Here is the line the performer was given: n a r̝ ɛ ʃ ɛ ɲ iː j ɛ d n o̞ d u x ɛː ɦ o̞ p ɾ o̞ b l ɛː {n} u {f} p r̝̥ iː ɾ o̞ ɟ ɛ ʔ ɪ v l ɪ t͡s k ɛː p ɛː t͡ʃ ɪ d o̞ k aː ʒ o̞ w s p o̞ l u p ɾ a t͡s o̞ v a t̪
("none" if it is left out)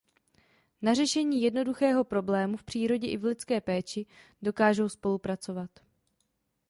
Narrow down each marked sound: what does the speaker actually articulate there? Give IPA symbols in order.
m, f

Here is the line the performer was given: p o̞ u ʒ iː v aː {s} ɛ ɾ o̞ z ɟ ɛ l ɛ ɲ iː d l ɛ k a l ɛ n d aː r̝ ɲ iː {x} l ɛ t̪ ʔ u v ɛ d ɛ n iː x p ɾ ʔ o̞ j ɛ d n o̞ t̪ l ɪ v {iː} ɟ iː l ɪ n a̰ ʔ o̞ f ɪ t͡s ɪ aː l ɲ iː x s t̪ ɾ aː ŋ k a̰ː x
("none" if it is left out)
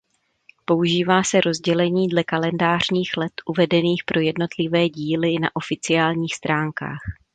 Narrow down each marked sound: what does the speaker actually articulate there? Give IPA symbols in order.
s, x, ɛː

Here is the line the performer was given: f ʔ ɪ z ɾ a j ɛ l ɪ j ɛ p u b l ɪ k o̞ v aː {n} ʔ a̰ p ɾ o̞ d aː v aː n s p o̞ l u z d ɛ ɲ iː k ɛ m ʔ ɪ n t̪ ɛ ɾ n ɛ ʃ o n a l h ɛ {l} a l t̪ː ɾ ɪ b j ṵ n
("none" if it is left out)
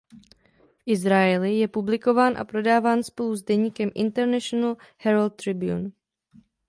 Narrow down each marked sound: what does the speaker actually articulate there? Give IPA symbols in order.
n, ɾ

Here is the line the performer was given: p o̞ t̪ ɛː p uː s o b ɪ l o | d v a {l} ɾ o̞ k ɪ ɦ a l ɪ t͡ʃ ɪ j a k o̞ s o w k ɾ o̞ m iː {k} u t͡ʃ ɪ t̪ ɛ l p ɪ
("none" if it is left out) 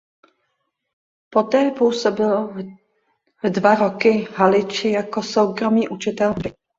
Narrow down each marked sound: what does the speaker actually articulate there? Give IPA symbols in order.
none, ʔ

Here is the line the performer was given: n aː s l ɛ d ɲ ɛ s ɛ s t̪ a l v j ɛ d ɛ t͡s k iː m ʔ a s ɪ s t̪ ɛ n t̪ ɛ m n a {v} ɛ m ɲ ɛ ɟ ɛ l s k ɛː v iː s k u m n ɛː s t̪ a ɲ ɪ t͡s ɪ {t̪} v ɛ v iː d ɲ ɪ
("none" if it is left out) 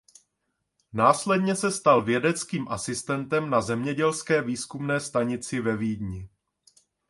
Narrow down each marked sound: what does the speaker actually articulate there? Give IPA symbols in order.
z, none

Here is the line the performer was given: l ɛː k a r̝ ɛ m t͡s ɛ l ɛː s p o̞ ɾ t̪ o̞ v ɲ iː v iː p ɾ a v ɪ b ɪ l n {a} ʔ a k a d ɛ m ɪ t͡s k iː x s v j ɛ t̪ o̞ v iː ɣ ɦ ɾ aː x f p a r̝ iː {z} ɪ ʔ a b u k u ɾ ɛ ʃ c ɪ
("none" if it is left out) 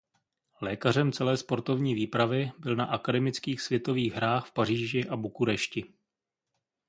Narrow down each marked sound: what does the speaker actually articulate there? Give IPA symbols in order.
a, ʒ

